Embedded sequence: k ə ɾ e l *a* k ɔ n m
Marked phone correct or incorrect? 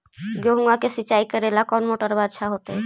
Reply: correct